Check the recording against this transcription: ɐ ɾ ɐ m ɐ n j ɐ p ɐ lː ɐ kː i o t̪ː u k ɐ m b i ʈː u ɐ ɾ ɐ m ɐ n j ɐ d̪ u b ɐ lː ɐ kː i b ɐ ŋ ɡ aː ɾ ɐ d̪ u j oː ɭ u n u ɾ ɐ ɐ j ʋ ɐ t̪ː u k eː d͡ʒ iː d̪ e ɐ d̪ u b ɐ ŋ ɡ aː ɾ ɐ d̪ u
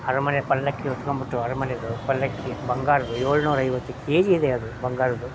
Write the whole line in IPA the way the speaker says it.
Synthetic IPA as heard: ɐ ɾ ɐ m ɐ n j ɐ p ɐ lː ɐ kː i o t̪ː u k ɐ m b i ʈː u ɐ ɾ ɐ m ɐ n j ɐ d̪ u p ɐ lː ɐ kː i b ɐ ŋ ɡ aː ɾ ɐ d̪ u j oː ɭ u n uː ɾ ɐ ɐ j ʋ ɐ t̪ː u k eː d͡ʒ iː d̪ e ɐ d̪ u b ɐ ŋ ɡ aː ɾ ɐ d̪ u

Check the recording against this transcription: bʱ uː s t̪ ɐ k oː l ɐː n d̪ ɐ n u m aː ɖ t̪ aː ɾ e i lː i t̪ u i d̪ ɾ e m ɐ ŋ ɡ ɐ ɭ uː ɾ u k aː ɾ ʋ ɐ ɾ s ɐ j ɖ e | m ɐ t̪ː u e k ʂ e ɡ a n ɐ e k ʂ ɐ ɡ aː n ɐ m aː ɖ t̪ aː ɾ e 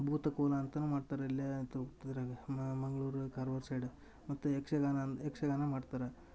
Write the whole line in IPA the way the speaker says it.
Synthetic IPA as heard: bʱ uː t̪ ɐ k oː l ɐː n t̪ ɐ n u m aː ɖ t̪ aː ɾ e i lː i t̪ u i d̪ ɾ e m ɐ ŋ ɡ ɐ ɭ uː ɾ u k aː ɾ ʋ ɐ ɾ s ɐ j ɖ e | m ɐ t̪ː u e k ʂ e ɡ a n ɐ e k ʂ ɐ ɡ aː n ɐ m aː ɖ t̪ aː ɾ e

